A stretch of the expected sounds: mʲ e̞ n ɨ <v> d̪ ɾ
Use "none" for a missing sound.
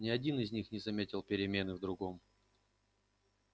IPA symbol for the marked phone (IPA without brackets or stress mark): v